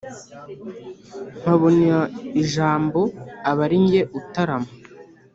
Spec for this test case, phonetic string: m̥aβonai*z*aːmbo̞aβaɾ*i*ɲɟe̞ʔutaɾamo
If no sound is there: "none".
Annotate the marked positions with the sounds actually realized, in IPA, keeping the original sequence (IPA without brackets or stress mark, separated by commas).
ʒ, i